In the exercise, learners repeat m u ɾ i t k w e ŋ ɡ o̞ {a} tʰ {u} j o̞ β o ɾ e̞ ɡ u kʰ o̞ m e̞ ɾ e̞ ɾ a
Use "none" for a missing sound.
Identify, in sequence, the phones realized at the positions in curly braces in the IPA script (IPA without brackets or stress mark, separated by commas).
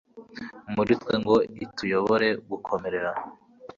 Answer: i, u